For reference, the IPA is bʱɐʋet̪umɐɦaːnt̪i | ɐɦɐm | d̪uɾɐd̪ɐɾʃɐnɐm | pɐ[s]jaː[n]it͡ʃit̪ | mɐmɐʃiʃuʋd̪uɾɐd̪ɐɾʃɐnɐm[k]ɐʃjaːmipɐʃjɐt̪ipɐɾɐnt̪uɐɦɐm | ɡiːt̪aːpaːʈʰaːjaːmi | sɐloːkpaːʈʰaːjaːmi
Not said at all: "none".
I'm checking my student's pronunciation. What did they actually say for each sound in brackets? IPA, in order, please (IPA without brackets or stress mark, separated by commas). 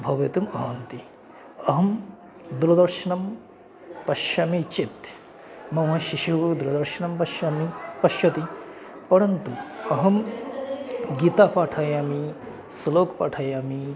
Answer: ʃ, m, p